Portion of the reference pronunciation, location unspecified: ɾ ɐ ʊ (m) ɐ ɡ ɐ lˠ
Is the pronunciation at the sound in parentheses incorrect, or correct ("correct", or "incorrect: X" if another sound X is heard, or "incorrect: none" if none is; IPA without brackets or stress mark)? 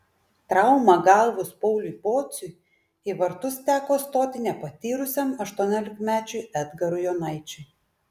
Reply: correct